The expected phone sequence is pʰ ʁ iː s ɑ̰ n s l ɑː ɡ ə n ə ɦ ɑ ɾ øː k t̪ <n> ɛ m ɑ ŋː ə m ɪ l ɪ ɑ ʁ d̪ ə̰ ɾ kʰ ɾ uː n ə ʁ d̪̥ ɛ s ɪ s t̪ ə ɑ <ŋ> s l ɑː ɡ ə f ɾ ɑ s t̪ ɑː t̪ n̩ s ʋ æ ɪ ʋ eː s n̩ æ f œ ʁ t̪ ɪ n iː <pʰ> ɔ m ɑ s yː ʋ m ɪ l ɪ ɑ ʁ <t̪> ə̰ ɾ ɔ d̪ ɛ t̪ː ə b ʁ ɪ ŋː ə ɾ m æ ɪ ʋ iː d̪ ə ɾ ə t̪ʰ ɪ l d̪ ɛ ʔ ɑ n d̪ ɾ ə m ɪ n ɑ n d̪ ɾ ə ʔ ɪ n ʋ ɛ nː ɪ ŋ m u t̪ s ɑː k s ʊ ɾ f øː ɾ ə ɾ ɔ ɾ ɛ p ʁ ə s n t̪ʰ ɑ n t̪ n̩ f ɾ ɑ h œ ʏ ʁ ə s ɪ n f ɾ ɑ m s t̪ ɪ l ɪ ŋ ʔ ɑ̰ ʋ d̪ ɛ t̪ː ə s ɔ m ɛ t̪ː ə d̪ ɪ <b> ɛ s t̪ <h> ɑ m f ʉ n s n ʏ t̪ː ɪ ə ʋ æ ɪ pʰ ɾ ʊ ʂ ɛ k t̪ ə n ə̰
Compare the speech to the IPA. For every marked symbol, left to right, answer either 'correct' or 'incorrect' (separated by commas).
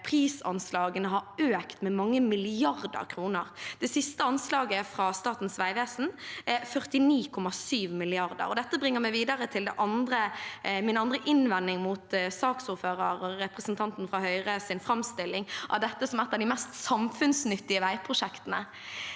incorrect, incorrect, incorrect, incorrect, incorrect, incorrect